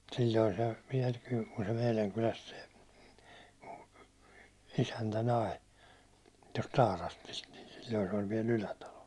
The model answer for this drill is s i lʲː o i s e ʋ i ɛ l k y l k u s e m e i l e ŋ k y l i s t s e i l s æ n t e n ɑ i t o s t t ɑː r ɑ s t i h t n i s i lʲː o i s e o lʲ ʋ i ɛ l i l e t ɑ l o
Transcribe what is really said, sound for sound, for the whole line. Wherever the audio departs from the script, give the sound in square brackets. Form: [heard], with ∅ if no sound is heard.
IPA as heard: s i lʲː o i s e ʋ i ɛ l k y l k u s e m e i l [æ] ŋ k y l [æ] s t s e i [∅] s æ n t [æ] n ɑ i t o s t t ɑː r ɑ s t i [s] t n i s i lʲː o i s e o lʲ ʋ i ɛ l [y] l [æ] t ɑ l o